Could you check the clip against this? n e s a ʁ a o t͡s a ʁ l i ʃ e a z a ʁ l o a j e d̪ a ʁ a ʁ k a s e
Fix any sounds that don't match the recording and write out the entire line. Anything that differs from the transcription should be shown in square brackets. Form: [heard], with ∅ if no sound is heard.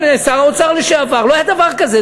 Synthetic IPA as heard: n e s a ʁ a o t͡s a ʁ l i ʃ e a [v] a ʁ l o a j [a] d̪ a [v] a ʁ k a [z] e

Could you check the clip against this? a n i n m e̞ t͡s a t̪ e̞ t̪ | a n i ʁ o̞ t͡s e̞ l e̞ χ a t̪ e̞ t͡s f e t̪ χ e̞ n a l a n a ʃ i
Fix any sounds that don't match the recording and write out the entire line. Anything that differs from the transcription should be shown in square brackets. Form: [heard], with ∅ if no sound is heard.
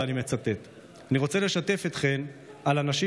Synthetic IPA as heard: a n i [∅] m e̞ t͡s a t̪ e̞ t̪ | a n i ʁ o̞ t͡s e̞ l e̞ [ʃ] a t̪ e̞ [∅] f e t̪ χ e̞ n a l a n a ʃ i

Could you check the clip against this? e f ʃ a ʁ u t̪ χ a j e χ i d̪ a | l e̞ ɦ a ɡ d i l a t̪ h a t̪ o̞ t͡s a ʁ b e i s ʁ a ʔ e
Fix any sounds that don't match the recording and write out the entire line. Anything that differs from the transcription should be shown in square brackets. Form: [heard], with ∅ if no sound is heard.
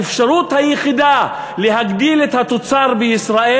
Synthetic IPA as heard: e f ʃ a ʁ u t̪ [h] a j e χ i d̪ a | l e̞ ɦ a ɡ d i l [e] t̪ h a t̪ o̞ t͡s a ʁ b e i s ʁ a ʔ e

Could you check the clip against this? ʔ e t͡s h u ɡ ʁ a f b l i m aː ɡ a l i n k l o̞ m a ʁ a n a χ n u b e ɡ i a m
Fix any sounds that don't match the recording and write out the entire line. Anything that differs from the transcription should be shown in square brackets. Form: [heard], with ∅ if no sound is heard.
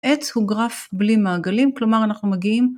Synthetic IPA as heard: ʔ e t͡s h u ɡ ʁ a f b l i m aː ɡ a l i [m] k l o̞ m a ʁ a n a χ n u [m] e ɡ i [i] m

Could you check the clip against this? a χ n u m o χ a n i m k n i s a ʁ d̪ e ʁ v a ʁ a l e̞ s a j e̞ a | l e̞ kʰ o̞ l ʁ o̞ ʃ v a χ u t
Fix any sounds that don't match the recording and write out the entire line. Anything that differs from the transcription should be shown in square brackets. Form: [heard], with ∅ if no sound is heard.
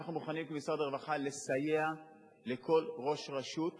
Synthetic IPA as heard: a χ n u m [u] χ a n i m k [m] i s a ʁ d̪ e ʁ v a [χ] a l e̞ s a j e̞ a | l e̞ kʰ o̞ l ʁ o̞ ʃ [ʁ] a [ʃ] u t

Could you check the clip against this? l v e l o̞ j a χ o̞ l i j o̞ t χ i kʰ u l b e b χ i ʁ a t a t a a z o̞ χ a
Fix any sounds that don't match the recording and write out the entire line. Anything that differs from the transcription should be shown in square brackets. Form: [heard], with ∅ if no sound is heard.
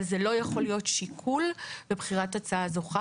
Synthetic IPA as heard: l [z] e l o̞ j a χ o̞ l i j o̞ t [ʃ] i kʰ u l b e b χ i ʁ a t a [t͡s] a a z o̞ χ a

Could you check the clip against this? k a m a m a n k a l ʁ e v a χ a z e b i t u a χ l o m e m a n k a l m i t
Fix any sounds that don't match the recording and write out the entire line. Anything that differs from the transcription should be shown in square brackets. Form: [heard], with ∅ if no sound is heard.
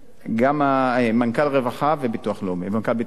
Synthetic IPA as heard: [ɡ] a m a m a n k a l ʁ e v a χ a [v] e b i t u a χ l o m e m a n k a l [b] i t

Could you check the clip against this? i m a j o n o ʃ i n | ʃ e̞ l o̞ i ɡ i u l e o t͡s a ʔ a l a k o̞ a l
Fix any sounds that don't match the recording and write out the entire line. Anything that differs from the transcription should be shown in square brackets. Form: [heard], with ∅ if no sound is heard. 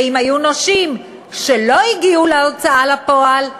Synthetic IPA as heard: i m a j [u] n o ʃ i [m] | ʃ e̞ l o̞ i ɡ i u l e o t͡s a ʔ a l a [p] o̞ a l

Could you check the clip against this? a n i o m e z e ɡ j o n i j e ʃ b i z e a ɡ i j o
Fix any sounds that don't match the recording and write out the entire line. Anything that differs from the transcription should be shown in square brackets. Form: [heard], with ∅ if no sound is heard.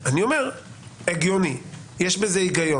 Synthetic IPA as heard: a n i o m e [ʁ] e ɡ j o n i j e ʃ b [e] z e [i] ɡ [a] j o

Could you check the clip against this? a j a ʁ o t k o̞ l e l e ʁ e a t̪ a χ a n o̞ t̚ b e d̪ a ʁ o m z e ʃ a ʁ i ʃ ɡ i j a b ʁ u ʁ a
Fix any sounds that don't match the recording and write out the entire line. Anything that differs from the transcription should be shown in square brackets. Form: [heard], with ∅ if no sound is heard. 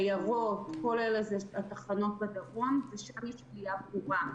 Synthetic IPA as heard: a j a ʁ o t k o̞ l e l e [z] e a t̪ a χ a n o̞ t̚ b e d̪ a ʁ o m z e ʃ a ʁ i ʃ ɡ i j a b ʁ u ʁ a

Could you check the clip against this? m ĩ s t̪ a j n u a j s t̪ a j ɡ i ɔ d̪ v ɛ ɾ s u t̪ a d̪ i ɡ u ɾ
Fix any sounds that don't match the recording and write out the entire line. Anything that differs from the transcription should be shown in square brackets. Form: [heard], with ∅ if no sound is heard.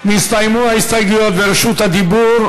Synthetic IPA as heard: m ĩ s t̪ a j [m] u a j s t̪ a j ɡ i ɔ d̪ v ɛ ɾ [ʃ] u t̪ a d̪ i [b] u ɾ

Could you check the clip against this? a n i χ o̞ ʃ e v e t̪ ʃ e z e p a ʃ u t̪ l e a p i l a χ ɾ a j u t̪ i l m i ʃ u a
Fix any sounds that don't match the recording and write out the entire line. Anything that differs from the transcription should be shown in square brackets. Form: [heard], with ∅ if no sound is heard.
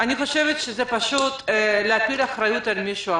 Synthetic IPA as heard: a n i χ o̞ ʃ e v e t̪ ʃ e z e p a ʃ u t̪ l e a p i l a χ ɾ a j u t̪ [a] l m i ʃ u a

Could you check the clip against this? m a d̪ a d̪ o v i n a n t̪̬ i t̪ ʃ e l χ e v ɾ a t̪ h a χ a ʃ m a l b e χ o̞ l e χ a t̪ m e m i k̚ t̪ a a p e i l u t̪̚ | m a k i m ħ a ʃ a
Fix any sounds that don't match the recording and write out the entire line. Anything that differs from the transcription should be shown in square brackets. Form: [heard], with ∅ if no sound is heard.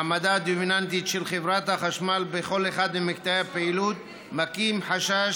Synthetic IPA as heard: m a d̪ a d̪ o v i n a n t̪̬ i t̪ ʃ e l χ e v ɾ a t̪ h a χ a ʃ m a l b e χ o̞ l e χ a [d̪] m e m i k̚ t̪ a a p e i l u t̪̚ | m a k i m ħ a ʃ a

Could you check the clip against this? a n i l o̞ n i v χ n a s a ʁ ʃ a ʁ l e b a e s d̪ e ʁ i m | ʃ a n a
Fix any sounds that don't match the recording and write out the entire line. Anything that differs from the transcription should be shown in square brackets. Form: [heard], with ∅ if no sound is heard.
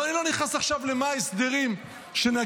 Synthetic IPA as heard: a n i l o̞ n i [∅] χ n a s a [χ] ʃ a [v] l e [m] a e s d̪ e ʁ i m | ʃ [e] n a

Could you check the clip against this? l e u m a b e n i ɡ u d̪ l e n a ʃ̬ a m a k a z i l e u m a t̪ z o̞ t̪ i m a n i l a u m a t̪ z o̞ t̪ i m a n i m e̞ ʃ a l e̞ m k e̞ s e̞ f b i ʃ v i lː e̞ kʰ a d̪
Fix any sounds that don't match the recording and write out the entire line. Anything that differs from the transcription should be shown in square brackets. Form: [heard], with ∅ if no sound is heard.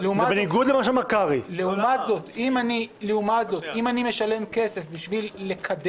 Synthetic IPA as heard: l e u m a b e n i ɡ u d̪ l e [m] a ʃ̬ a m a k a [ʁ] i l e u m a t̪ z o̞ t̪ i m a n i l [e] u m a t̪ z o̞ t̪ i m a n i m e̞ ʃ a l e̞ m k e̞ s e̞ f b i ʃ v i lː e̞ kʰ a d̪

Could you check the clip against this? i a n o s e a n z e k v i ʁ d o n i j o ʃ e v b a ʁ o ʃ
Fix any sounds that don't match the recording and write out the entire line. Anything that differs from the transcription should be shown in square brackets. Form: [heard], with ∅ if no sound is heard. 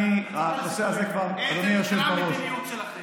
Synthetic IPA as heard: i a n o s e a [∅] z e k v [a] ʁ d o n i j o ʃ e v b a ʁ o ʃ

